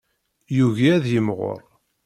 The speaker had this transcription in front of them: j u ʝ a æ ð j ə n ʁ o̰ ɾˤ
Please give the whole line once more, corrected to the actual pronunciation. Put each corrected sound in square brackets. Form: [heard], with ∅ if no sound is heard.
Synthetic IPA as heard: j u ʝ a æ ð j ə [m] ʁ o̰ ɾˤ